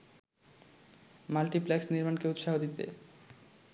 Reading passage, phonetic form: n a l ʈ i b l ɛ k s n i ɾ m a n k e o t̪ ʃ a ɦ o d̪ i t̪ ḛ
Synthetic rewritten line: m a l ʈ i p l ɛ k s n i ɾ m a n k e u t̪ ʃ a ɦ o d̪ i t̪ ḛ

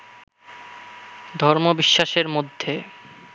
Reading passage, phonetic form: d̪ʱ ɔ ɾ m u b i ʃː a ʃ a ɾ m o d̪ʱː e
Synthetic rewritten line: d̪ʱ ɔ ɾ m o b i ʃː a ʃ e ɾ m o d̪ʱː e

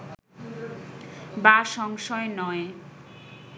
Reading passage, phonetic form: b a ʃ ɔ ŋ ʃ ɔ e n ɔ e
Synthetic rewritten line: b a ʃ ɔ ŋ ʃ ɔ e n ɔ e

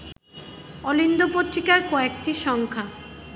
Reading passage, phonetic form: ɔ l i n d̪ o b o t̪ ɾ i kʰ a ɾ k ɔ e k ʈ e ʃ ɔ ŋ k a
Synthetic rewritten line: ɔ l i n d̪ o p o t̪ ɾ i k a ɾ k ɔ e k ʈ i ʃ ɔ ŋ kʰ a

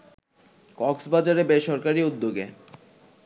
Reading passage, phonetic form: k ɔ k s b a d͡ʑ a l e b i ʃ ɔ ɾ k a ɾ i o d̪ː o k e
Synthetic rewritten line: k ɔ k s b a d͡ʑ a ɾ e b e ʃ ɔ ɾ k a ɾ i u d̪ː o ɡ e

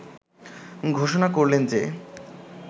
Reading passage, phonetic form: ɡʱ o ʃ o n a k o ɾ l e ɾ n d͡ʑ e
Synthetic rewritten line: ɡʱ o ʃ o n a k o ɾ l e n d͡ʑ e

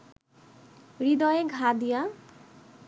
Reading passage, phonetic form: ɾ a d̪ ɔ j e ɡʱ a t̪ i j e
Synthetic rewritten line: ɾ i d̪ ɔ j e ɡʱ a d̪ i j a

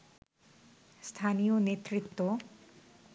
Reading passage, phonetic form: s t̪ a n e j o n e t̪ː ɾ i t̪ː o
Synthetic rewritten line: s t̪ʰ a n i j o n e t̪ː ɾ i t̪ː o

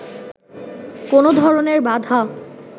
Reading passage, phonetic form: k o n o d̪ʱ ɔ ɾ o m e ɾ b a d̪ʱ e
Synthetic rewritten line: k o n o d̪ʱ ɔ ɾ o n e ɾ b a d̪ʱ a

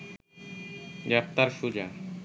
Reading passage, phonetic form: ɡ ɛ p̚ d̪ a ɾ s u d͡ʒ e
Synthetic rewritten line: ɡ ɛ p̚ t̪ a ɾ ʃ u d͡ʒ a

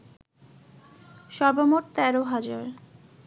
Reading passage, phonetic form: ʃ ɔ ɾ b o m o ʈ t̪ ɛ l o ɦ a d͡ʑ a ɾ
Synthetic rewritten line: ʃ ɔ ɾ b o m o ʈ t̪ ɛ ɾ o ɦ a d͡ʑ a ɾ

